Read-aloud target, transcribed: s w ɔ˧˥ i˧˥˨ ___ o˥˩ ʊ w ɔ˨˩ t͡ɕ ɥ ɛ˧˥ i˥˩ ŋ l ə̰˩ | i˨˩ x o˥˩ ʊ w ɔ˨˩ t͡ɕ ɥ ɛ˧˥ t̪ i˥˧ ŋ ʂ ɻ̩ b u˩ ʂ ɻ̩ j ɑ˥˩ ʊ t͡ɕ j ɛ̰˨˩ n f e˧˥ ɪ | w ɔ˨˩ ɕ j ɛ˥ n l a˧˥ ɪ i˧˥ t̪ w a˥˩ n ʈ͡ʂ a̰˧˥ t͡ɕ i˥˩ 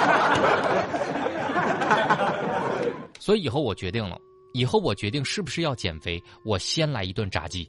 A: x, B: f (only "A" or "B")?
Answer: A